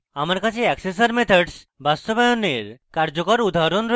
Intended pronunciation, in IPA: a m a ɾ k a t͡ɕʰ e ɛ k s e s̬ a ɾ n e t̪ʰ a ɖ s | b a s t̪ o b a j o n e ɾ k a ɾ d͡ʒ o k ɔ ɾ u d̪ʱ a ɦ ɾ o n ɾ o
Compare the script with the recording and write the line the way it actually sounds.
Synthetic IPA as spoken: a m a ɾ k a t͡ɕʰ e ɛ k s e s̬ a ɾ m e t̪ʰ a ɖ s | b a s t̪ o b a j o n e ɾ k a ɾ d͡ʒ o k ɔ ɾ u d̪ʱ a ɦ ɾ o n ɾ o